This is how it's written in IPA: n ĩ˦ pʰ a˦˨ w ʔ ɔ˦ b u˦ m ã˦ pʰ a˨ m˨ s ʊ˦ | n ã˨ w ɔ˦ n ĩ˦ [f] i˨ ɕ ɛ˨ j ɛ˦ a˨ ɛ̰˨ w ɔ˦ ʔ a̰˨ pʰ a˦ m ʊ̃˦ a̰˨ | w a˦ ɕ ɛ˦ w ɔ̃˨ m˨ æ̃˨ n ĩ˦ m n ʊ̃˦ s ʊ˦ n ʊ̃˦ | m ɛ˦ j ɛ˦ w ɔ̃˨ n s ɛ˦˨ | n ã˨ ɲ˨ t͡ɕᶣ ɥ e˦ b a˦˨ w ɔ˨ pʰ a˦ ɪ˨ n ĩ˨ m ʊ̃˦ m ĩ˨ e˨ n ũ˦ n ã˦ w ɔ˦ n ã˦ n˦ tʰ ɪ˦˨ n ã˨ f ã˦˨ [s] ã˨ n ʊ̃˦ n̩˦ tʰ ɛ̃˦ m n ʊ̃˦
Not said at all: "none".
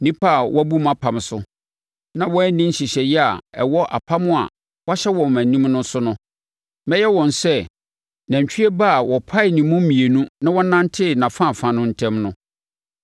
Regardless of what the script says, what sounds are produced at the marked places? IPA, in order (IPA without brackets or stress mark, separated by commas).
ɕ, f